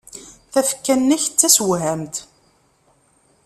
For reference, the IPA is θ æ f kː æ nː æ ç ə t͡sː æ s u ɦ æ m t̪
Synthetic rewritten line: θ æ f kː æ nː æ ç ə t͡sː æ s w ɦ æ m t̪